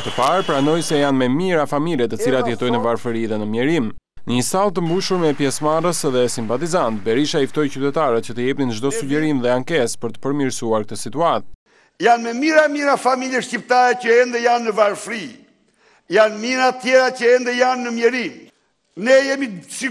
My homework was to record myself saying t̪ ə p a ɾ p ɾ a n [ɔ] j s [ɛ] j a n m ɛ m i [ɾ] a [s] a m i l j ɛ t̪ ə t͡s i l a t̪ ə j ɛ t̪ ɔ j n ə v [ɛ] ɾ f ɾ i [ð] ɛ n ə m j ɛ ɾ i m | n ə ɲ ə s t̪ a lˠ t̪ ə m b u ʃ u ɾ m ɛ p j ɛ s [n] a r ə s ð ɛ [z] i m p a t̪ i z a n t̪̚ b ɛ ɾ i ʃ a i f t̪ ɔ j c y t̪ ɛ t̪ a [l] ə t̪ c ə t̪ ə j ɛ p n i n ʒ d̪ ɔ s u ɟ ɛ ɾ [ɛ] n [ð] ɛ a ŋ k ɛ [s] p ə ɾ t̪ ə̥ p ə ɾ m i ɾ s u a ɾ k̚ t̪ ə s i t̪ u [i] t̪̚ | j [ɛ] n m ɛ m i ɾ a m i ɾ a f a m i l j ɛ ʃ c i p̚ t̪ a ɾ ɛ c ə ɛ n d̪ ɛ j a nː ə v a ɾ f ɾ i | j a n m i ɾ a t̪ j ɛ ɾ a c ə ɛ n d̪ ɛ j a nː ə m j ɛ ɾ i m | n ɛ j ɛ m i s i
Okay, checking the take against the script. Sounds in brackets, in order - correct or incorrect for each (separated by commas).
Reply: correct, correct, correct, incorrect, incorrect, correct, incorrect, incorrect, incorrect, incorrect, correct, correct, incorrect, incorrect